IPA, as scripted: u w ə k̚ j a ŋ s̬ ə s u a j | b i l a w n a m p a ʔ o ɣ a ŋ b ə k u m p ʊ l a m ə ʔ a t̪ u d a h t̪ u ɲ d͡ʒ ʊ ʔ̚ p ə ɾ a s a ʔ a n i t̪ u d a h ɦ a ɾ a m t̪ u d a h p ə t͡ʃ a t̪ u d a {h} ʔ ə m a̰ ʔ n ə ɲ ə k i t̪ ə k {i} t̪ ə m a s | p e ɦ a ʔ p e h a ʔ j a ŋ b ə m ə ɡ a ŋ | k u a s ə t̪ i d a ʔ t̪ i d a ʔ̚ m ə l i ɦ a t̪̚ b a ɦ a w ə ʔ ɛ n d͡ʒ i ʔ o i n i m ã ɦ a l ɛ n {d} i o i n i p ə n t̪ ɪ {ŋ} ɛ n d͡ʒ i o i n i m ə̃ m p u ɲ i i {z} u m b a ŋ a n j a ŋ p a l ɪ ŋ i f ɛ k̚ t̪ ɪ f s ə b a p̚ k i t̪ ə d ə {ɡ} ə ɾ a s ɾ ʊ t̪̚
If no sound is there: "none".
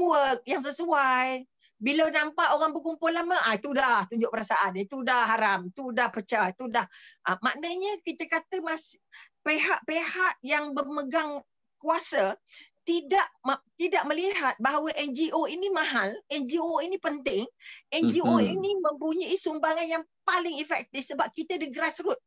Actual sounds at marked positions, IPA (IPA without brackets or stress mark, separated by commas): h, a, d͡ʒ, ŋ, s, ɡ